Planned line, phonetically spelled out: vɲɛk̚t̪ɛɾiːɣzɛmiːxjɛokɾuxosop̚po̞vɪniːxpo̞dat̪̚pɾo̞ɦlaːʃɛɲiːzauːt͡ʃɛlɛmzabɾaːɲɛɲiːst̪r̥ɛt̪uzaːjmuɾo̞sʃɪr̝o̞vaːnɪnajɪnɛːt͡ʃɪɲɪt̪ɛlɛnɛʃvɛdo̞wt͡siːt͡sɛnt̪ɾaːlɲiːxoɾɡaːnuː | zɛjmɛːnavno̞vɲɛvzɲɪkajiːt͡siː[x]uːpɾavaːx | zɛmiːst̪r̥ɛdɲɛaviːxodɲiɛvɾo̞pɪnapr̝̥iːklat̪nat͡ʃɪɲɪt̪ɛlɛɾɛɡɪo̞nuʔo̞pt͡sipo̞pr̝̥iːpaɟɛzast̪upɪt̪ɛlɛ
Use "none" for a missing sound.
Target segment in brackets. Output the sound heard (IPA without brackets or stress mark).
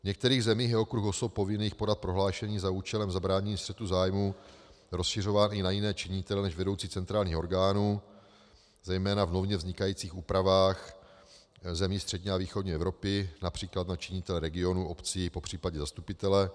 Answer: x